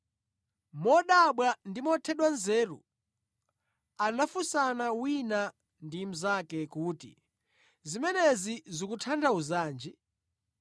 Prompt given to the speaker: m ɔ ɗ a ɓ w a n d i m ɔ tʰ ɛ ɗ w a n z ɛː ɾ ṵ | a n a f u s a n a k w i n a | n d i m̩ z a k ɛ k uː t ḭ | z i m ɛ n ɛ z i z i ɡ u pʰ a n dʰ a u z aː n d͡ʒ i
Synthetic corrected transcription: m ɔ ɗ a ɓ w a n d i m ɔ tʰ ɛ ɗ w a n z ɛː ɾ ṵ | a n a f u s a n a w i n a | n d i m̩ z a k ɛ k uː t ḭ | z i m ɛ n ɛ z i z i k u tʰ a n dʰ a u z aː n d͡ʒ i